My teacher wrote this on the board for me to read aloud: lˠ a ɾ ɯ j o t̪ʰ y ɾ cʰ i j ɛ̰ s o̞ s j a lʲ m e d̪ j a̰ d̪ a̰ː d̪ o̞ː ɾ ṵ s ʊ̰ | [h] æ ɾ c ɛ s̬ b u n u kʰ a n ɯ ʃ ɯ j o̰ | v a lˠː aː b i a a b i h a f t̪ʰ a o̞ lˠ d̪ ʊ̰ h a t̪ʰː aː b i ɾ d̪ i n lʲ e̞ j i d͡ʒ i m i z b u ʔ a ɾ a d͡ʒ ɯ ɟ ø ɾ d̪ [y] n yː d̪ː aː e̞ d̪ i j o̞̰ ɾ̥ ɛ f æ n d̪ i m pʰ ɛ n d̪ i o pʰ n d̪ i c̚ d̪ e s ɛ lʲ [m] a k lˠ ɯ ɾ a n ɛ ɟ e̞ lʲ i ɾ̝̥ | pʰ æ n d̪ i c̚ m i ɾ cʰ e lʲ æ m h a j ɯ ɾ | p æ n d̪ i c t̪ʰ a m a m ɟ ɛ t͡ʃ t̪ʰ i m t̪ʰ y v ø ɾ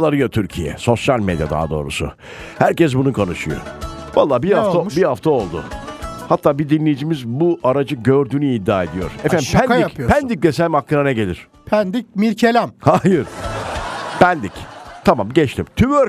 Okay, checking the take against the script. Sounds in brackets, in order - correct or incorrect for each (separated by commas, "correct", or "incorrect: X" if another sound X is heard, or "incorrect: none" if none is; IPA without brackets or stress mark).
correct, incorrect: yː, correct